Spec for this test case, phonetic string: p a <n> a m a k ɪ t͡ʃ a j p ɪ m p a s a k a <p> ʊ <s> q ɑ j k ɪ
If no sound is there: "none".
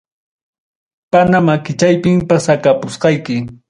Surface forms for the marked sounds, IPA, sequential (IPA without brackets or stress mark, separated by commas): n, p, s